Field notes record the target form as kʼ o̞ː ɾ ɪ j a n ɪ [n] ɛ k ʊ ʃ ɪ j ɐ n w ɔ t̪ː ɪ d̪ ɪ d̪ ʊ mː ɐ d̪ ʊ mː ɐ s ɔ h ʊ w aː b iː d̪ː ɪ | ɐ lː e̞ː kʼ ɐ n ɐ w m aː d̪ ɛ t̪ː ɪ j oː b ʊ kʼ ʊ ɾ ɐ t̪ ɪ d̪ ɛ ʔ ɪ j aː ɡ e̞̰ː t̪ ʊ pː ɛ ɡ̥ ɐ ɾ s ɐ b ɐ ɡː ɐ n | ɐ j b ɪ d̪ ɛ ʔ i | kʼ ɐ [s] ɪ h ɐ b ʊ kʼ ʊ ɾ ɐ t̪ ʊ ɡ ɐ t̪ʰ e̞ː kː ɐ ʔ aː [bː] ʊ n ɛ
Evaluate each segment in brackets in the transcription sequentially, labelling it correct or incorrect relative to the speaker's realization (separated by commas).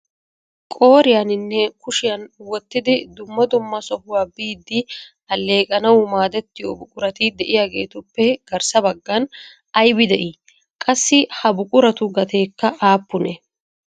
incorrect, incorrect, incorrect